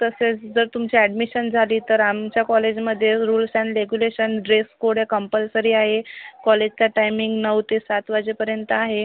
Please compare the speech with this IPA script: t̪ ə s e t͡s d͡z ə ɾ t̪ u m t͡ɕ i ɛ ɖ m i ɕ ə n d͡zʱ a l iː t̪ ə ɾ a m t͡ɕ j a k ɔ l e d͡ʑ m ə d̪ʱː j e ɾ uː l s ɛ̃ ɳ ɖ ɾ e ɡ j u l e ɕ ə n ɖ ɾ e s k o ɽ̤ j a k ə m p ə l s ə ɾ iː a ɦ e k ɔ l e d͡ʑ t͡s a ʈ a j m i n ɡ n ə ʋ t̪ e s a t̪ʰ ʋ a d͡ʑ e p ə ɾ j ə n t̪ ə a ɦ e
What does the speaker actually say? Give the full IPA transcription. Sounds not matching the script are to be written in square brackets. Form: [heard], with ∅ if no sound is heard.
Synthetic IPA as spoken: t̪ ə s e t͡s d͡z ə ɾ t̪ u m t͡ɕ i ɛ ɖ m i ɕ ə n d͡zʱ a l iː t̪ ə ɾ a m t͡ɕ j a k ɔ l e d͡ʑ m ə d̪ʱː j e ɾ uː l s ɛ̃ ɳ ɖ ɾ e ɡ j u l e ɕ ə n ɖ ɾ e s k o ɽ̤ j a k ə m p ə l s ə ɾ iː a ɦ e k ɔ l e d͡ʑ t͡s a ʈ a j m i [ŋ] ɡ n ə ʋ t̪ e s a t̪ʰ ʋ a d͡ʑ e p ə ɾ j ə n t̪ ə a ɦ e